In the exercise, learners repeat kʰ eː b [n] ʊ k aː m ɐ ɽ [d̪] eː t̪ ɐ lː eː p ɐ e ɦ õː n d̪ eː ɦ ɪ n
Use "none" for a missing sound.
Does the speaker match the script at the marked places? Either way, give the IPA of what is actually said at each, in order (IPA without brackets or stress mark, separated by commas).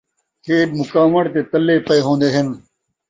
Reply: m, t̪